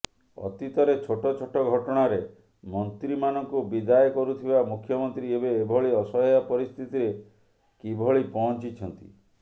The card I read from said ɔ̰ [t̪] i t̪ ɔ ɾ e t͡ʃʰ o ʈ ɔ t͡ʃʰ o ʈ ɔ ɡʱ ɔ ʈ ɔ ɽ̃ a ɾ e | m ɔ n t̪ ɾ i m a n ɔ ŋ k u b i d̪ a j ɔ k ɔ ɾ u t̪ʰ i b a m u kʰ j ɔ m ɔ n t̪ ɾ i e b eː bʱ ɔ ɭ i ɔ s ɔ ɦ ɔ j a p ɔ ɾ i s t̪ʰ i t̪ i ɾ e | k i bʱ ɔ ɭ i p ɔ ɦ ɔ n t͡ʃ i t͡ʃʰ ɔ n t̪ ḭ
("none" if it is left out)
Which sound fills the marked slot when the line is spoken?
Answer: t̪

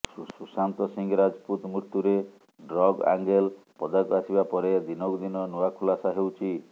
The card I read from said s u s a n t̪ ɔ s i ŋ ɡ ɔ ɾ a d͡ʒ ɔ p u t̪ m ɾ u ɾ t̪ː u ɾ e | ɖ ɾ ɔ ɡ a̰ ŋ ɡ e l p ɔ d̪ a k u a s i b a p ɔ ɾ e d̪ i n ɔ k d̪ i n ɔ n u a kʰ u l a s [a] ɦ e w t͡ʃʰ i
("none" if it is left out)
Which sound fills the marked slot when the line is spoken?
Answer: a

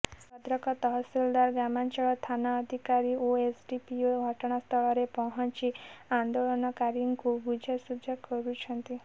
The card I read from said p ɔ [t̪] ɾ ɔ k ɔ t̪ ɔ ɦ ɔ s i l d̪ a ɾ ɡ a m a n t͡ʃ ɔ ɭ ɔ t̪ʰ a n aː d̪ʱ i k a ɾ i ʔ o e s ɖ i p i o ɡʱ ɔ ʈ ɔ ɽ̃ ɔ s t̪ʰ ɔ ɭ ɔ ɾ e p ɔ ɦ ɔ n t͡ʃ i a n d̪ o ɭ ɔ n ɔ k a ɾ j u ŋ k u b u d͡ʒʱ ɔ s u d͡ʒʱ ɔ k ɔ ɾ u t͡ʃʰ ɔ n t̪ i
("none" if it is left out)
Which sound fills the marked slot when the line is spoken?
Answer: d̪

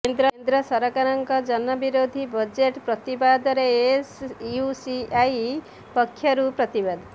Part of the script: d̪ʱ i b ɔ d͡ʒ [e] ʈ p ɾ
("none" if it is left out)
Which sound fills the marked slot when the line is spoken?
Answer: e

